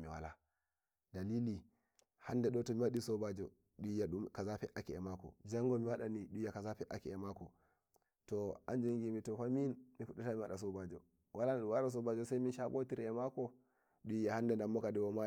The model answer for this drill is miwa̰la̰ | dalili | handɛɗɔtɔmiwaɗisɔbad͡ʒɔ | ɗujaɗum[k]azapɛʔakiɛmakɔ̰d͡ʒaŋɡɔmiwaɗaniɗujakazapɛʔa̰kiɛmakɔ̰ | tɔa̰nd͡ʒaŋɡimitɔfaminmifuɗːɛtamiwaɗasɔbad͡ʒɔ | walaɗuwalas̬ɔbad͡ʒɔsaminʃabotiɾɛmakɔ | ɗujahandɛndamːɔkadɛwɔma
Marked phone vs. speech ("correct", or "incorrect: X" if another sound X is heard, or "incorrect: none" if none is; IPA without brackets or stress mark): correct